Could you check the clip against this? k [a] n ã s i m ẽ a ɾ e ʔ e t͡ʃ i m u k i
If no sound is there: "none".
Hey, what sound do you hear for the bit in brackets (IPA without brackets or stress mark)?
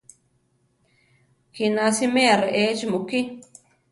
i